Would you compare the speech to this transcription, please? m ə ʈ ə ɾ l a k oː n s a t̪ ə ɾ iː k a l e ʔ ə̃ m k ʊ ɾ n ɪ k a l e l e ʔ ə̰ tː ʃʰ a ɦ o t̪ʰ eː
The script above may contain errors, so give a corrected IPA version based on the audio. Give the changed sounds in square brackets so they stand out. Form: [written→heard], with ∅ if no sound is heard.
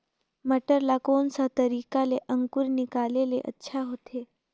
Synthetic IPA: m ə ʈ ə ɾ l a k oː n s a t̪ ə ɾ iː k a l e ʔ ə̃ [m→ŋ] k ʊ ɾ n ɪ k a l e l e ʔ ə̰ tː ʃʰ a ɦ o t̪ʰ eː